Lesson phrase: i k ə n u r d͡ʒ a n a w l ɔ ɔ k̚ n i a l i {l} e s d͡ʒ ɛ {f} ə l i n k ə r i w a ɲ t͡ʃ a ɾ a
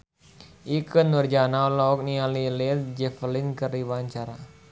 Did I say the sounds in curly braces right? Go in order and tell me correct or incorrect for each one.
correct, correct

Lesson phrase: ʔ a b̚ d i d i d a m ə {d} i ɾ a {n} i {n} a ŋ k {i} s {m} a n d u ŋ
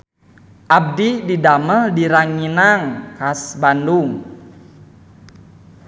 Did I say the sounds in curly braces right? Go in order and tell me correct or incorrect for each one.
correct, incorrect: ŋ, correct, incorrect: a, incorrect: b

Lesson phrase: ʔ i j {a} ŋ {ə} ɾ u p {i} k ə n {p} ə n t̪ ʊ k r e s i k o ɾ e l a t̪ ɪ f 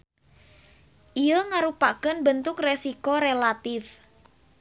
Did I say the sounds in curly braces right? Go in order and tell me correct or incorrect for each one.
incorrect: ə, incorrect: a, incorrect: a, incorrect: b

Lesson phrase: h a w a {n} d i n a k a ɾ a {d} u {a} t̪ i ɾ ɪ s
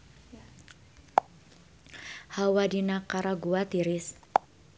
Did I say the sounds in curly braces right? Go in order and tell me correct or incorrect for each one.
incorrect: none, incorrect: ɡ, correct

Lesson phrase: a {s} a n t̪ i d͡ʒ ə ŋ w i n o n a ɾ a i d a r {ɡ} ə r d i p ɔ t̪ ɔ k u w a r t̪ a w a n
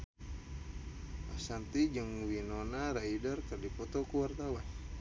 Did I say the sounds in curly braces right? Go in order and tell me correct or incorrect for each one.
correct, incorrect: k

